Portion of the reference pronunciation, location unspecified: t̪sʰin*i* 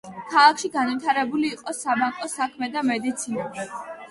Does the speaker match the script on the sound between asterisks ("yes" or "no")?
no